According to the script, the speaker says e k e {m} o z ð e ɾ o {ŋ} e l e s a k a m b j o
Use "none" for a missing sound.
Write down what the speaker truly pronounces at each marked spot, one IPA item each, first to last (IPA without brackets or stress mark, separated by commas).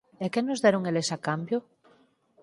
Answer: n, ŋ